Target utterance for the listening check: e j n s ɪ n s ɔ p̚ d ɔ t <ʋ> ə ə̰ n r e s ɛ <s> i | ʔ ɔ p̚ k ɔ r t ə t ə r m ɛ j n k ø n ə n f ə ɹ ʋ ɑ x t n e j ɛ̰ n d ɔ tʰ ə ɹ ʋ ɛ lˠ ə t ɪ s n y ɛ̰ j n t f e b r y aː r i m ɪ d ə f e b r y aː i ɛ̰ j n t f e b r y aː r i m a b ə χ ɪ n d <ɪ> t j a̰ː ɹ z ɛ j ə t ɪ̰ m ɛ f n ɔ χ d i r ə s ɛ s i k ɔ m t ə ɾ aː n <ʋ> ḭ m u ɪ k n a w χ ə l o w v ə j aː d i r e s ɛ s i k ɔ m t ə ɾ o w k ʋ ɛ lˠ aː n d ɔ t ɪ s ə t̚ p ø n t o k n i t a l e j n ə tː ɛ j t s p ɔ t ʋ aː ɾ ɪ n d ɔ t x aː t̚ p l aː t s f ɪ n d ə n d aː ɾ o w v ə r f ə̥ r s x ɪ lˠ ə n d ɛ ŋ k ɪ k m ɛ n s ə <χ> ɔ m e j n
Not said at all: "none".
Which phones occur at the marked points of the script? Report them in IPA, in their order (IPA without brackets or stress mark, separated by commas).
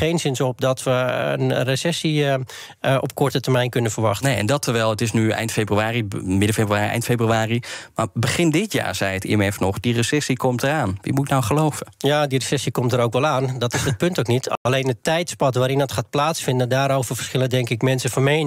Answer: ʋ, s, ɪ, ʋ, f